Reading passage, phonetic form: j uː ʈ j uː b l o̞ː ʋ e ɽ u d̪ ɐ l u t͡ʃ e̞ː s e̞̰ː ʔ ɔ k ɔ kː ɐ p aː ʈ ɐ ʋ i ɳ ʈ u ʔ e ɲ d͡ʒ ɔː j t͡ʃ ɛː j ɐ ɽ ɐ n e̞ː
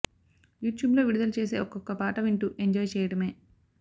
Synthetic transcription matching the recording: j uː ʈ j uː b l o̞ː ʋ i ɽ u d̪ ɐ l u t͡ʃ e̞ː s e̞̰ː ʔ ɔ k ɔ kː ɐ p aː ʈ ɐ ʋ i ɳ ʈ u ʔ e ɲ d͡ʒ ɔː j t͡ʃ ɛː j ɐ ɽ ɐ m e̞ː